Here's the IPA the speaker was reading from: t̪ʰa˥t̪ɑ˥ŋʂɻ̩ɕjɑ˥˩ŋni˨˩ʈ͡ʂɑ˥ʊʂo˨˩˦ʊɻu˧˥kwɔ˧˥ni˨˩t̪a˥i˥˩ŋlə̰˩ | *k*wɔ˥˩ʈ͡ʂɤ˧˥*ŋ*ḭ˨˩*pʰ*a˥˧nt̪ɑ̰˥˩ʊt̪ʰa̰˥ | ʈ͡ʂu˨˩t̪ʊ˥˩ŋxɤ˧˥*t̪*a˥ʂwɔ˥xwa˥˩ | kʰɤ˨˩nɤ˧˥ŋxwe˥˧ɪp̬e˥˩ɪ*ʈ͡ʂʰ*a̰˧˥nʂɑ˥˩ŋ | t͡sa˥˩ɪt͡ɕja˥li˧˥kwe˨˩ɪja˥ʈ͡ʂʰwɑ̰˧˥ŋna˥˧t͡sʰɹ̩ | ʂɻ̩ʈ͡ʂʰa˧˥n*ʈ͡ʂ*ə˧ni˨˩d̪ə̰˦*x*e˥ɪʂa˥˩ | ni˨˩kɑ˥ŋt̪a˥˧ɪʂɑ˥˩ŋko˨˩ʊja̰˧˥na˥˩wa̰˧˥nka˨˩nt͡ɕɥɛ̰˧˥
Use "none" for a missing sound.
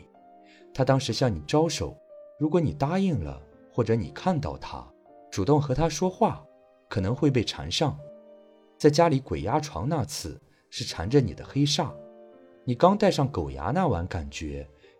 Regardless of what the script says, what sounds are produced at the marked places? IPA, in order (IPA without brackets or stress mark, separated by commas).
x, n, kʰ, t̪ʰ, ʈ͡ʂʰ, ʈ͡ʂ, x